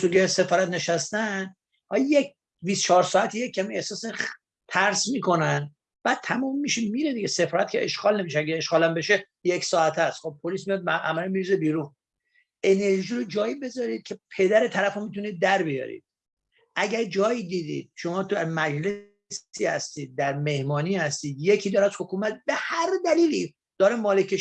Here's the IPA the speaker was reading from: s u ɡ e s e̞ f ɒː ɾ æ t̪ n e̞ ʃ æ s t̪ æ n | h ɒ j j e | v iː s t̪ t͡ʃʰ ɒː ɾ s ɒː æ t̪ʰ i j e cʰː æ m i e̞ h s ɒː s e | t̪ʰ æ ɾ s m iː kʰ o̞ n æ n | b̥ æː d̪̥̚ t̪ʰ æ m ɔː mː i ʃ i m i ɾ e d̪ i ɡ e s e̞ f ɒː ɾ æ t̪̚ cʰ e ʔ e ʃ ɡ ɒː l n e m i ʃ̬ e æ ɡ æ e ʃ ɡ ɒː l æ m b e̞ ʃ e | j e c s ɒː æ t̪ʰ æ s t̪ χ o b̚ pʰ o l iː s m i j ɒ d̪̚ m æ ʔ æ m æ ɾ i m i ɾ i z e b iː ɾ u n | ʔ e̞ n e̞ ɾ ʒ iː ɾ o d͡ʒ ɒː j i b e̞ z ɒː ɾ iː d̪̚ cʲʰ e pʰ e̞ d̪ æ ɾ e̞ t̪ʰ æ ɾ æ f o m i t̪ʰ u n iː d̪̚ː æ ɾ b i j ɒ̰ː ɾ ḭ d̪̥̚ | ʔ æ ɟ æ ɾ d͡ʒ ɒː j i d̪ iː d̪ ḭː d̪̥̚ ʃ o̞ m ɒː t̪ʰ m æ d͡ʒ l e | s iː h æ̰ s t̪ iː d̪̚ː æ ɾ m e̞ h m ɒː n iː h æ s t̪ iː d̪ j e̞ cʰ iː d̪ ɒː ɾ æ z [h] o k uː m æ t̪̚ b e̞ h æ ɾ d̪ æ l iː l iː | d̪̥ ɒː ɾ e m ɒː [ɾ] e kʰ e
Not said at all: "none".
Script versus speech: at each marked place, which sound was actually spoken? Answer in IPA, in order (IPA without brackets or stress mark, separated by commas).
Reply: h, l